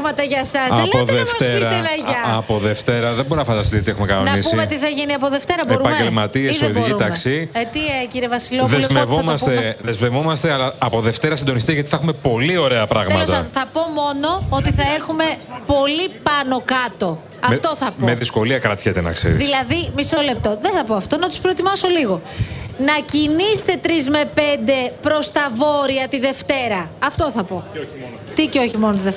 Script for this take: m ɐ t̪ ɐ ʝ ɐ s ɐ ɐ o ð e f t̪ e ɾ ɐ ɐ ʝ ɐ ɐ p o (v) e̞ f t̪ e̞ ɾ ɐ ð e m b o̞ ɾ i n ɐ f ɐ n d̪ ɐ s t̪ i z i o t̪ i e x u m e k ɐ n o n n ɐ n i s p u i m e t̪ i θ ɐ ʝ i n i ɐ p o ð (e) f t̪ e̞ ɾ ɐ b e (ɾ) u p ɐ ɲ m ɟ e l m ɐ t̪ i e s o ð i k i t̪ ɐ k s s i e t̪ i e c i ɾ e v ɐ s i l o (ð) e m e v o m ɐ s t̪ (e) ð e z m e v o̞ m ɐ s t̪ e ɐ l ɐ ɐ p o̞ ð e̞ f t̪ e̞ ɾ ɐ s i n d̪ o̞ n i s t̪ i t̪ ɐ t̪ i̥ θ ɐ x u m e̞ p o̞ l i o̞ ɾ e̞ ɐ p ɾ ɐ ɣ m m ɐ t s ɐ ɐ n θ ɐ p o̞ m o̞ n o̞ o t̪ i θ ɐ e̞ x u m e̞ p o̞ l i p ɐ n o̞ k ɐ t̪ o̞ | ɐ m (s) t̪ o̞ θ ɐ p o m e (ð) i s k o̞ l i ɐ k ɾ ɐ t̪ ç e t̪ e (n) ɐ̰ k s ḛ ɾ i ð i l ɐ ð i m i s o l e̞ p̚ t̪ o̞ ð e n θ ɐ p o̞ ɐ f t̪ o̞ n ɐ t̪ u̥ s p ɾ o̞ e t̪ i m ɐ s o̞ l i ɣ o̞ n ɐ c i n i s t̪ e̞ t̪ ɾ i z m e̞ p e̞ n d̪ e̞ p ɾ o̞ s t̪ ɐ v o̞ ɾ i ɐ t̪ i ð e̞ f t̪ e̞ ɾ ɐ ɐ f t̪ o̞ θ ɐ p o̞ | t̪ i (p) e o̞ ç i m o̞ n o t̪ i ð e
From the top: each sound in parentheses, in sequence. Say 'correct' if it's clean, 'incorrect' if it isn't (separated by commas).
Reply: incorrect, correct, correct, correct, correct, incorrect, correct, correct, incorrect